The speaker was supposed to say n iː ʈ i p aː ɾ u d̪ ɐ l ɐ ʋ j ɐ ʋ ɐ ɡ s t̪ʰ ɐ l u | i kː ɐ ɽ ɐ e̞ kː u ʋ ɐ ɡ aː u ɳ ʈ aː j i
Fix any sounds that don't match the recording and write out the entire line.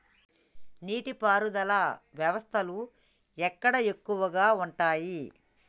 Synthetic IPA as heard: n iː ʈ i p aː ɾ u d̪ ɐ l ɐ ʋ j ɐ ʋ ɐ s t̪ʰ ɐ l u | ɛ kː ɐ ɽ ɐ e̞ kː u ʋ ɐ ɡ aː u ɳ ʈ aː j i